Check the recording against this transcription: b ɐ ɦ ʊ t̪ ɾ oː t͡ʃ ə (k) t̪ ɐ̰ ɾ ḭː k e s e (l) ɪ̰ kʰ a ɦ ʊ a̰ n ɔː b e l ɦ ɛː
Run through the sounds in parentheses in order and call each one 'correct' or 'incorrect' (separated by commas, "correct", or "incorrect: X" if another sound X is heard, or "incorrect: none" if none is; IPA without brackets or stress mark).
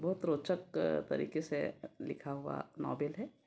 correct, correct